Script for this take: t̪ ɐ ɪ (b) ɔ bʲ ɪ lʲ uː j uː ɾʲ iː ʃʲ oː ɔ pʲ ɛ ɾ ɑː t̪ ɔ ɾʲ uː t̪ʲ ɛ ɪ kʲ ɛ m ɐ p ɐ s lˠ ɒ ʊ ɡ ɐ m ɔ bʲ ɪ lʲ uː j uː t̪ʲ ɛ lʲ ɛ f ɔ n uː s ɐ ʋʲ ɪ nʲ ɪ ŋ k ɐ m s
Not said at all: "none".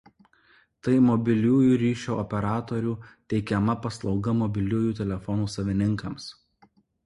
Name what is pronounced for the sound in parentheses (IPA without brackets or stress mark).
m